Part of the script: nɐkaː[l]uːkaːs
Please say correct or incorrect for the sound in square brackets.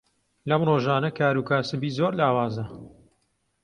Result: incorrect